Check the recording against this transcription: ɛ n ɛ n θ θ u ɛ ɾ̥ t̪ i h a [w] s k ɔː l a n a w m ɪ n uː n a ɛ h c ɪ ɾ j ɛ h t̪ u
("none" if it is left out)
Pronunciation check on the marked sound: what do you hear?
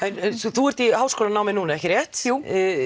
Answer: w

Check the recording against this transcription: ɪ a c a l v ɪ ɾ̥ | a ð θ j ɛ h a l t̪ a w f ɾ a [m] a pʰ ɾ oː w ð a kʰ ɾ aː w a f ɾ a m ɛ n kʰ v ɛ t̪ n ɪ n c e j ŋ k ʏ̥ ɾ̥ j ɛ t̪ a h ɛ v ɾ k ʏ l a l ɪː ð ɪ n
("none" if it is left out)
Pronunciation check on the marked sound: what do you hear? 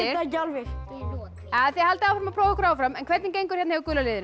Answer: m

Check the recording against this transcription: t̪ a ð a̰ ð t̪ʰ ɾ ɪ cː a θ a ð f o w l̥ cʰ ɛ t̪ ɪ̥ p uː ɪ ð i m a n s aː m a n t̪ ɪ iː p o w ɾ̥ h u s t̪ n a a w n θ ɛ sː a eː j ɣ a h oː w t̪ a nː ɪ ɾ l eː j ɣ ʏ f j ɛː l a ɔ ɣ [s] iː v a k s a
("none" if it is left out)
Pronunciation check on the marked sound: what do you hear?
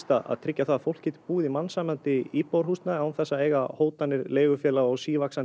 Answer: s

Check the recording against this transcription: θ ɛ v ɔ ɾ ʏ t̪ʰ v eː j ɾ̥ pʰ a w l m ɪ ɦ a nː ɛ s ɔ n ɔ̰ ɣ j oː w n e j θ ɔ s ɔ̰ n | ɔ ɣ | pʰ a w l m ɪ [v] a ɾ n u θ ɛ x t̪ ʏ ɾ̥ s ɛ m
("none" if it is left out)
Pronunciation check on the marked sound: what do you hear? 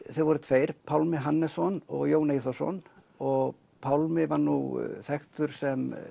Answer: v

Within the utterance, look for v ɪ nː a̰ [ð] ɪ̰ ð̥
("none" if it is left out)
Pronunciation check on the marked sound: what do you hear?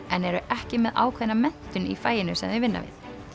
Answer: v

